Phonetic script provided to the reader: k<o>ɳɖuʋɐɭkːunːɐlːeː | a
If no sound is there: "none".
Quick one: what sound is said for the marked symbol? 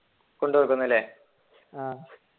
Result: o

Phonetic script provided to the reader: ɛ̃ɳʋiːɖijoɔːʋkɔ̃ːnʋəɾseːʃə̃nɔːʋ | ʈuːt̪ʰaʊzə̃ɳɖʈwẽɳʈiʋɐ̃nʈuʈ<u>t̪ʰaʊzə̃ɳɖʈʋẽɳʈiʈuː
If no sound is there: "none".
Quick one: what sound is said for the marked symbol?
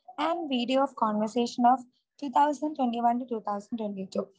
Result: uː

